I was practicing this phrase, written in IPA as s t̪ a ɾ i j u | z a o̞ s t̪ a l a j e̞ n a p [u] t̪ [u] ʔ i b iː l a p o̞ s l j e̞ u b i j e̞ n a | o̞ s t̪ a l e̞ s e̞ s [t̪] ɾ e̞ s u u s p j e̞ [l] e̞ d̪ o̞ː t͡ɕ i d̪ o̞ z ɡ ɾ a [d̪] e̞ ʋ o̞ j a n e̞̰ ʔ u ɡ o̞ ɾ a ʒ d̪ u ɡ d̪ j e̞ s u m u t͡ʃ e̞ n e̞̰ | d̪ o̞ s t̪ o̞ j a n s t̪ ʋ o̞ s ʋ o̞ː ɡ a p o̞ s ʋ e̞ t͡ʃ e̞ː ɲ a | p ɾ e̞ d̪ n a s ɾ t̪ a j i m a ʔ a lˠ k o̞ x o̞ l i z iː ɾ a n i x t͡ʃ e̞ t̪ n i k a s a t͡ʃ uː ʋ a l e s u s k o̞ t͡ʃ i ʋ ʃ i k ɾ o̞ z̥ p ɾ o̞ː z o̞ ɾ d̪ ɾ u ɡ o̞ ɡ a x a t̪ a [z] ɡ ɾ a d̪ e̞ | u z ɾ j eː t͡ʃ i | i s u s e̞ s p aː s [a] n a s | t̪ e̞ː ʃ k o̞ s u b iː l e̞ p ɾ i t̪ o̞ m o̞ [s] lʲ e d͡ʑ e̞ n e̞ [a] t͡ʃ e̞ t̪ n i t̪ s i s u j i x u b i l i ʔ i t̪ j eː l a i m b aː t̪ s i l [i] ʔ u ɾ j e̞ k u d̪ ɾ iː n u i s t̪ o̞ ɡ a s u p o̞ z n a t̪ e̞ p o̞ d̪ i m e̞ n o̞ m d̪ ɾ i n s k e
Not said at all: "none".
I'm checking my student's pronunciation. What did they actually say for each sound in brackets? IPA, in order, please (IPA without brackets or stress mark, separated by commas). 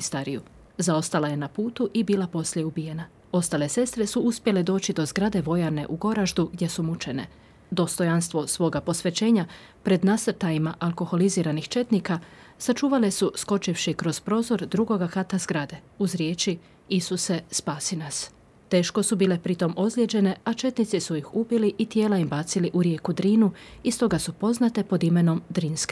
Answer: uː, u, t̪, l, d̪, z, i, z, a, i